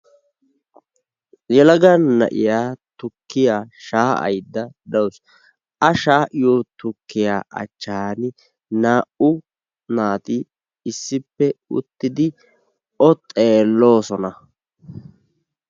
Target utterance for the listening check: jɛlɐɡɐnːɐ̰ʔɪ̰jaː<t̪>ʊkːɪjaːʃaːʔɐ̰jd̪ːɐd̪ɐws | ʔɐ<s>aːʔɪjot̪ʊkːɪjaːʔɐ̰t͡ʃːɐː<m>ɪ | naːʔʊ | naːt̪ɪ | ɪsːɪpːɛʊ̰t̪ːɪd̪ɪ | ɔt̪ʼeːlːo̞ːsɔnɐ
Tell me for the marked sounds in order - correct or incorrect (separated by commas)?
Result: correct, incorrect, incorrect